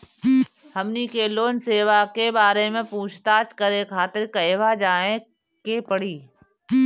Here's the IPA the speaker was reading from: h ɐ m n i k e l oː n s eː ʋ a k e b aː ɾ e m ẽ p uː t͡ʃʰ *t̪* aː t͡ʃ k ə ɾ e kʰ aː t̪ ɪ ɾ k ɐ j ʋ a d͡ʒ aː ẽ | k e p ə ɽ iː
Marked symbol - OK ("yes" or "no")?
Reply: yes